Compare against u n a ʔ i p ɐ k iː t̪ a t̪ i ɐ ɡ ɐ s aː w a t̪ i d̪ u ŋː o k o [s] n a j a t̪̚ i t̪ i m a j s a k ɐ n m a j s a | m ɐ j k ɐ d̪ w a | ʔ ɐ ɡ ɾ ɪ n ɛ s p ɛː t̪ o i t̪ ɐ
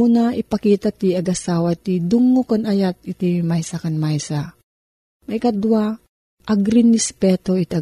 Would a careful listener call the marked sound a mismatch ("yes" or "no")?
yes